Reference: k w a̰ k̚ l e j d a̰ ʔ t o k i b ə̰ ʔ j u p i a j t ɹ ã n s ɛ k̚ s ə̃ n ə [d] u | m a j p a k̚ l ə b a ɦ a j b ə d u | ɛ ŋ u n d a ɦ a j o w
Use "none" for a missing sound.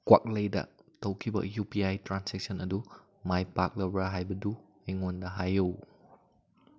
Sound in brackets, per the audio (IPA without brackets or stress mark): d